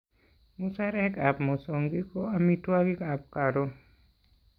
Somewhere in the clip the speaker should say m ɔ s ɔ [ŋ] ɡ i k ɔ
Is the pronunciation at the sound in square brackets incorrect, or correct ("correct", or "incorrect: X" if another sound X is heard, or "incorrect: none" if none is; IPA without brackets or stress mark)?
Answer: correct